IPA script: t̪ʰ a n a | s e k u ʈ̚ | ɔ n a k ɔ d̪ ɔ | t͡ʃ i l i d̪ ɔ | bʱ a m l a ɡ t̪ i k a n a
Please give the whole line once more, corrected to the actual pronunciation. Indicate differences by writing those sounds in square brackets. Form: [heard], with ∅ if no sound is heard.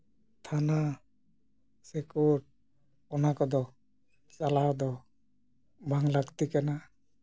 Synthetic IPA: t̪ʰ a n a | s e k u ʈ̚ | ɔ n a k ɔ d̪ ɔ | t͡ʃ [a] l [a] d̪ ɔ | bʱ a [ŋ] l a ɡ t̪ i k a n a